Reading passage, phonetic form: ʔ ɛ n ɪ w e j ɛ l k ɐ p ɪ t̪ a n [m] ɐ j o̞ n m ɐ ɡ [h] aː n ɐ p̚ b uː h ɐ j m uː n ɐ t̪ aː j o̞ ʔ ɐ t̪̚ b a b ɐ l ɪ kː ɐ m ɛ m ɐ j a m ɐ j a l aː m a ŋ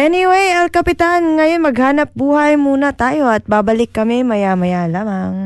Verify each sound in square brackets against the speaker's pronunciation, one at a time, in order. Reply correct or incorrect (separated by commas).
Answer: incorrect, correct